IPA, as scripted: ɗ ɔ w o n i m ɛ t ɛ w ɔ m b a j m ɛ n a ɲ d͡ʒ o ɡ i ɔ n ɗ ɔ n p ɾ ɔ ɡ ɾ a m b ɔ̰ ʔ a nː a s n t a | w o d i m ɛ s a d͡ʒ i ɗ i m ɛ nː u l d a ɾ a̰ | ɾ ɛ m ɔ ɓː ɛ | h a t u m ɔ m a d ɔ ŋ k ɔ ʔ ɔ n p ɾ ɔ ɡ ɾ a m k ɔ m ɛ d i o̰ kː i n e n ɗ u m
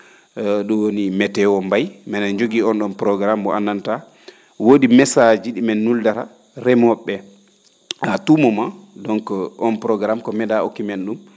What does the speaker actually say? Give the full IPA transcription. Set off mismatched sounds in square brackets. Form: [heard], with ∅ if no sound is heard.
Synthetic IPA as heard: ɗ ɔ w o n i m ɛ t ɛ w ɔ m b a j m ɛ n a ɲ d͡ʒ o ɡ i ɔ n ɗ ɔ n p ɾ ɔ ɡ ɾ a m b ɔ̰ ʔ a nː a [∅] n t a | w o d i m ɛ s a d͡ʒ i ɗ i m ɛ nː u l d a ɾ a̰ | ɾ ɛ m ɔ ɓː ɛ | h a t u m ɔ m a d ɔ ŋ k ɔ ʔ ɔ n p ɾ ɔ ɡ ɾ a m k ɔ m ɛ d [a] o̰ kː i [m] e n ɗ u m